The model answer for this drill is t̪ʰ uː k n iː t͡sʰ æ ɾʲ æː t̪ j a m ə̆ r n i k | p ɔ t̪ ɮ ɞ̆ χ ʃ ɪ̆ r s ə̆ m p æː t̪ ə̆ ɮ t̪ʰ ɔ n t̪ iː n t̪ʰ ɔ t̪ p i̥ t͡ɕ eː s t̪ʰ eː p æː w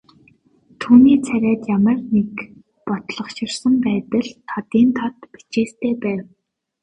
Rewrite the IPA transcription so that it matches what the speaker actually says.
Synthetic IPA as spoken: t̪ʰ uː n iː t͡sʰ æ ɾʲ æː t̪ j a m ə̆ r n e k | p ɔ t̪ ɮ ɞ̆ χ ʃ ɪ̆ r s ə̆ m p æː t̪ ə̆ ɮ t̪ʰ ɔ t̪ iː n t̪ʰ ɔ t̪ p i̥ t͡ɕ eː s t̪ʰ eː p æː w

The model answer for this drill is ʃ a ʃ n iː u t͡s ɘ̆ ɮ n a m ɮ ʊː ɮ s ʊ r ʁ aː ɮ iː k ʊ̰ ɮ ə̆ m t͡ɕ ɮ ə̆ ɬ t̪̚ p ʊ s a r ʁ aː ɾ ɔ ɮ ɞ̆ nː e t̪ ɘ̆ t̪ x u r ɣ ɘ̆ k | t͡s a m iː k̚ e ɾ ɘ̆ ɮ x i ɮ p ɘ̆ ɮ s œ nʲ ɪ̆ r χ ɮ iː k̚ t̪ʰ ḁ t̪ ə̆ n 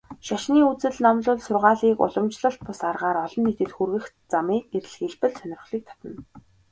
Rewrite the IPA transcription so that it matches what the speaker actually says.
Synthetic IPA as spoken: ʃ a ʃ n iː u t͡s ɘ̆ ɮ n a m ɮ ʊː ɮ s ʊ r ʁ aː ɮ iː k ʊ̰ ɮ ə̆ m t͡ɕ ɮ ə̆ ɬ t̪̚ p ʊ s a r ʁ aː ɾ ɔ ɮ ɞ̆ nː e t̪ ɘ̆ t̪ x u r ɣ ɘ̆ x | t͡s a m iː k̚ e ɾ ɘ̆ ɮ x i ɮ p ɘ̆ ɮ s œ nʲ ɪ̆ r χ ɮ iː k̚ t̪ʰ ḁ t̪ ə̆ n

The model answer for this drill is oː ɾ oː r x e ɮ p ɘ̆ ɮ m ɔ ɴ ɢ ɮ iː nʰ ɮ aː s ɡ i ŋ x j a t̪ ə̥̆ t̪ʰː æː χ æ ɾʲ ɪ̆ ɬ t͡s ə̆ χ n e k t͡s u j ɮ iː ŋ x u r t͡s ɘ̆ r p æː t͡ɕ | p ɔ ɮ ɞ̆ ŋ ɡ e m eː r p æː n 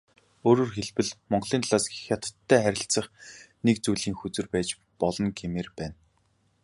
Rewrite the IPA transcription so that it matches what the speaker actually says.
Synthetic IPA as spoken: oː ɾ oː r x e ɮ p ɘ̆ ɮ m ɔ ɴ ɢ ɮ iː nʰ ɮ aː s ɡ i x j a t̪ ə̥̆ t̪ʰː æː χ æ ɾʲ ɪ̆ ɬ t͡s ə̆ χ n e k t͡s u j ɮ iː ŋ x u t͡s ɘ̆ r p æː t͡ɕ | p ɔ ɮ ɞ̆ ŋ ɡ e m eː r p æː n

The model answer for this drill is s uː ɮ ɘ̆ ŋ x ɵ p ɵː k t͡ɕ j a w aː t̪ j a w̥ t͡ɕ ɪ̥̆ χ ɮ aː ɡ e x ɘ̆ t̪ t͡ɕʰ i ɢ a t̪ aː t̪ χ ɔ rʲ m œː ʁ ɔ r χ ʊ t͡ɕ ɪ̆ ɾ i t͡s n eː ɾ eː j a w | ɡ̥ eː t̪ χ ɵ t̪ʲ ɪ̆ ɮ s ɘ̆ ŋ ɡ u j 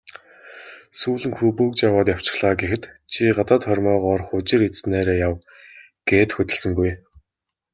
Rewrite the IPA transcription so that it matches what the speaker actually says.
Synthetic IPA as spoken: s uː ɮ ɘ̆ ŋ x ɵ p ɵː k t͡ɕ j a w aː t̪ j a w̥ t͡ɕ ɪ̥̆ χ ɮ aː ɡ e x ɘ̆ t̪ t͡ɕʰ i ɢ a t̪ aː t̪ χ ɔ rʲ m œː ʁ ɔ r χ ʊ t͡ɕ ɪ̆ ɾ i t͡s n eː ɾ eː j a w | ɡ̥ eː t̪ x ɵ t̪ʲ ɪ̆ ɮ s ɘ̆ ŋ ɡ u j

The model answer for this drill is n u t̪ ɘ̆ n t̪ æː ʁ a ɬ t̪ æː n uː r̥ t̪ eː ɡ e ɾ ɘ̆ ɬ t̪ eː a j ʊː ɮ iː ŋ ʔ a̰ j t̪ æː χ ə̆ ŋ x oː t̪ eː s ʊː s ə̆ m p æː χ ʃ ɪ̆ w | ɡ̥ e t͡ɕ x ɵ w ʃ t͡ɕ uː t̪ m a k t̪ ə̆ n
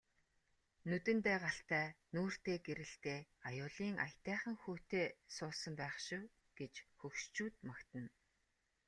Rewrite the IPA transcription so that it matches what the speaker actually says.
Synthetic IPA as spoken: n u t̪ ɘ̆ n t̪ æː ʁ a ɬ t̪ æː n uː r̥ t̪ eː ɡ e ɾ ɘ̆ ɬ t̪ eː a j ʊː ɮ iː ŋ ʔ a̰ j t̪ æː χ ə̆ ŋ x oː t̪ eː s ʊː s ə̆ m p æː χ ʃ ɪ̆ w | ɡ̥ e t͡ɕ x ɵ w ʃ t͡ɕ uː t̪ m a k t̪ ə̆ n

